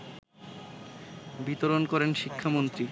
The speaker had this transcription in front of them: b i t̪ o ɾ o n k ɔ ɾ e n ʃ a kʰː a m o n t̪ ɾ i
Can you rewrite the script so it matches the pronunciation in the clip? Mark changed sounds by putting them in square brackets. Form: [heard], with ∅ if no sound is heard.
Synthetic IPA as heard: b i t̪ o ɾ o n k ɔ ɾ e n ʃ [i] kʰː a m o n t̪ ɾ i